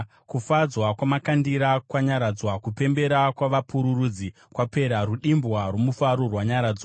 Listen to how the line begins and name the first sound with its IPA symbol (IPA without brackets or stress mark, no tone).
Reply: k